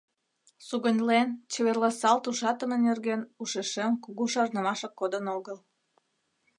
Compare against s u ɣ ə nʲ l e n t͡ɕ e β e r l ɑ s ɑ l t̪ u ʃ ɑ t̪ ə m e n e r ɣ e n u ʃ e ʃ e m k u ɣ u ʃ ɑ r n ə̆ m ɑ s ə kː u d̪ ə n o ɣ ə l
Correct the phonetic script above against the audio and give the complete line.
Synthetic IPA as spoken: s u ɣ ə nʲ l e n t͡ɕ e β e r l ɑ s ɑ l t̪ u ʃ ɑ t̪ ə m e n e r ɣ e n u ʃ e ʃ e m k u ɣ u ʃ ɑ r n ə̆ m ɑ ʃ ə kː o d̪ ə n o ɣ ə l